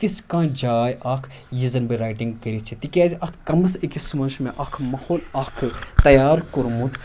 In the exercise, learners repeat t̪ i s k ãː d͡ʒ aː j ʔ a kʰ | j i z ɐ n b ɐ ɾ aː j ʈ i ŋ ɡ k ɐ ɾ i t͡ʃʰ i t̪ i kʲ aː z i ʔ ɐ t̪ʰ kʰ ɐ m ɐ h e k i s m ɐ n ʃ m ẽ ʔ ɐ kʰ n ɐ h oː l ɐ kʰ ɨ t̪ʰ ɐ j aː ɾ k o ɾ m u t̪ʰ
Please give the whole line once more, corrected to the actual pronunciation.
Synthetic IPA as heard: t̪ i s k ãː d͡ʒ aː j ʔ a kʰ | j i z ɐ n b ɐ ɾ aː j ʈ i ŋ ɡ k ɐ ɾ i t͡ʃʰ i t̪ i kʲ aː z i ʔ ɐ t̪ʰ k ɐ m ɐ s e k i s m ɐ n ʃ m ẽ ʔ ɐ kʰ m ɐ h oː l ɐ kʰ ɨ t̪ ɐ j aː ɾ k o ɾ m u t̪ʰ